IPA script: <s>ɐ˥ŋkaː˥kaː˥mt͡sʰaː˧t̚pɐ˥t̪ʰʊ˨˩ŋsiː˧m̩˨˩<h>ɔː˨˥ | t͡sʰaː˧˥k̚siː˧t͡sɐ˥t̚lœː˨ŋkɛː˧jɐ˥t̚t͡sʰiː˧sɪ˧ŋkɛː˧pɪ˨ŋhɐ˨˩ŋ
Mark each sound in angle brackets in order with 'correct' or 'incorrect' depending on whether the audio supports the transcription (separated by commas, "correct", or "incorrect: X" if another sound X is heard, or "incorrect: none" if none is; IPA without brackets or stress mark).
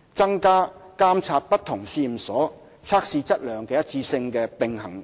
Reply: incorrect: t͡s, incorrect: s